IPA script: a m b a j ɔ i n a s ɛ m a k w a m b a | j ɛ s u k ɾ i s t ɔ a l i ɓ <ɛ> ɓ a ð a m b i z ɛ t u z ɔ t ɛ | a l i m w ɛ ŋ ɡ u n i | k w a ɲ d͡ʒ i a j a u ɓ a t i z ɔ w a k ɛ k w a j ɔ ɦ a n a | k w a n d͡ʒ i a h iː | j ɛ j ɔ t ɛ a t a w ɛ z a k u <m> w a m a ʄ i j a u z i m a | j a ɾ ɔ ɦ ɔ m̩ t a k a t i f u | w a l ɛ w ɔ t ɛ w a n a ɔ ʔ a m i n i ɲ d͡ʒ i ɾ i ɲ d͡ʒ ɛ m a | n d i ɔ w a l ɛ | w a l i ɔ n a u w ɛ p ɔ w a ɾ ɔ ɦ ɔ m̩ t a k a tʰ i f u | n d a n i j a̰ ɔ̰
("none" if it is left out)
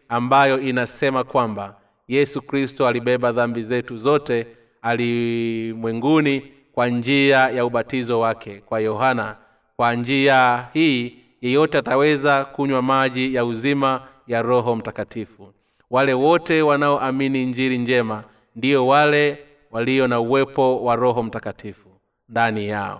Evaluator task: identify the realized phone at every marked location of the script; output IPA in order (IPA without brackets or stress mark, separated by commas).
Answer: ɛ, ɲ